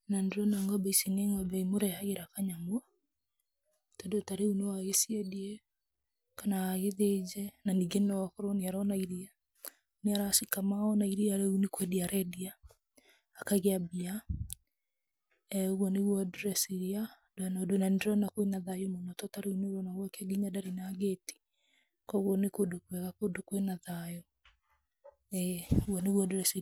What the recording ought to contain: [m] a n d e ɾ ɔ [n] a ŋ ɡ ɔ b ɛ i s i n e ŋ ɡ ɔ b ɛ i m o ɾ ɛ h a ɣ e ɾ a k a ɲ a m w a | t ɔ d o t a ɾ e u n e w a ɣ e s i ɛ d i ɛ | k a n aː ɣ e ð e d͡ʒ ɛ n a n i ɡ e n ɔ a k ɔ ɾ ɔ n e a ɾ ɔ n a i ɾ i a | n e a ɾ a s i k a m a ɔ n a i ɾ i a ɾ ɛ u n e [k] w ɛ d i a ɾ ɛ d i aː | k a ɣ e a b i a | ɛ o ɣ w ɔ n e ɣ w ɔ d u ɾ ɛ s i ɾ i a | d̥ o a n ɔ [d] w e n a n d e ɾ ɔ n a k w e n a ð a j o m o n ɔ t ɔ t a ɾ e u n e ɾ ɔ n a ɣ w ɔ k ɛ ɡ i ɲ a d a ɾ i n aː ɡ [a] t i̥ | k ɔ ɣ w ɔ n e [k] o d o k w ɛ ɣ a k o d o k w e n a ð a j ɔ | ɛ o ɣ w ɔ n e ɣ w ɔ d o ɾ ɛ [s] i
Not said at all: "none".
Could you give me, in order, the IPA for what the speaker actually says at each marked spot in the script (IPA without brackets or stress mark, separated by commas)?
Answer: n, n, k, d, e, k, s